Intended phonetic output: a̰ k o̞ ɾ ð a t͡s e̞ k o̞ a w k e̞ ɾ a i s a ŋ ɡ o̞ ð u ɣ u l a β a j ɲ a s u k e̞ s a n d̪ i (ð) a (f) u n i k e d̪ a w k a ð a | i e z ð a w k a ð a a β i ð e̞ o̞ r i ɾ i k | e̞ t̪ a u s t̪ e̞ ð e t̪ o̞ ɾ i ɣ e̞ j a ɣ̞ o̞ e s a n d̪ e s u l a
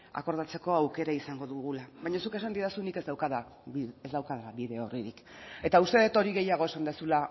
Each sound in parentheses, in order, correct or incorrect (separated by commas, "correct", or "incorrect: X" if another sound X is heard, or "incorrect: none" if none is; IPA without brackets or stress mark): correct, incorrect: s